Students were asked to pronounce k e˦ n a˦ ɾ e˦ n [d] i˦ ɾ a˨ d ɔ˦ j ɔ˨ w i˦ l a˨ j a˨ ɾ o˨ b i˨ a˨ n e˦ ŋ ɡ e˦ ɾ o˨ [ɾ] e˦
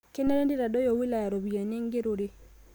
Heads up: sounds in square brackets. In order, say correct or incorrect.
correct, correct

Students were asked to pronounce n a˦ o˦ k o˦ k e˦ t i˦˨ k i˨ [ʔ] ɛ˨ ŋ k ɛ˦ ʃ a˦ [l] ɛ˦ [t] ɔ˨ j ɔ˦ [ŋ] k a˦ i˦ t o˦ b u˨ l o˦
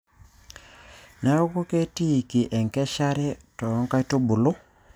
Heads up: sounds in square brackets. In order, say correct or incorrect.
correct, incorrect, correct, correct

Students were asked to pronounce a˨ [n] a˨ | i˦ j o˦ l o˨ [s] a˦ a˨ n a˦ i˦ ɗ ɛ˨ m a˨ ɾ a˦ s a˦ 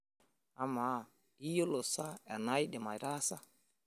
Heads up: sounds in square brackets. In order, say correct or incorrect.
incorrect, correct

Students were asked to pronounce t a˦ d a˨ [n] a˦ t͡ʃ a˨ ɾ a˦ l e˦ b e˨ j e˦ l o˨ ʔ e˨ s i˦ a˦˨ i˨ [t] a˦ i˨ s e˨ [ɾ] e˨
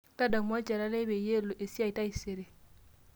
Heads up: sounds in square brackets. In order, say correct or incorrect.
incorrect, correct, correct

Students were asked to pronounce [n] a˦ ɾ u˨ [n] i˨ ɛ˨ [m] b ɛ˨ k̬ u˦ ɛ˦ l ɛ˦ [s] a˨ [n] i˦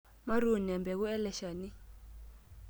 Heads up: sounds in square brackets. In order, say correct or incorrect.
incorrect, correct, correct, incorrect, correct

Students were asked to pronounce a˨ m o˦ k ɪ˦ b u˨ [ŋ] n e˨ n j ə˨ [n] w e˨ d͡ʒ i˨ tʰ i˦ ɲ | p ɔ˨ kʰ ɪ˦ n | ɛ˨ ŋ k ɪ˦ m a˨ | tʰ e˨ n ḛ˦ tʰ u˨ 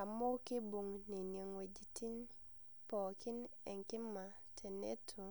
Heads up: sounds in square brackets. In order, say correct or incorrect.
correct, incorrect

